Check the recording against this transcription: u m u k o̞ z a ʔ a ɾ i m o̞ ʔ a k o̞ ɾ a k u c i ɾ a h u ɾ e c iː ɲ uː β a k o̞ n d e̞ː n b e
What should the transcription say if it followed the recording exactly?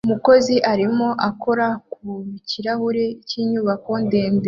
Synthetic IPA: u m u k o̞ z i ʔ a ɾ i m o̞ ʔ a k o̞ ɾ a k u c i ɾ a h u ɾ e c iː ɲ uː β a k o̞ n d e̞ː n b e